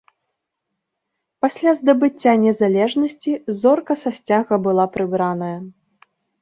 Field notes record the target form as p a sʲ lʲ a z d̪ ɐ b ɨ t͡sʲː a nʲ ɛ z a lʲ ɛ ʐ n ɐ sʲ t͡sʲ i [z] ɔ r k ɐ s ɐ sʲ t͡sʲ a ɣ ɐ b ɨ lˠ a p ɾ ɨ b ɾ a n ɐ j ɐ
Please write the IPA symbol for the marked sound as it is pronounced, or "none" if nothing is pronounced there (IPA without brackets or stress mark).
z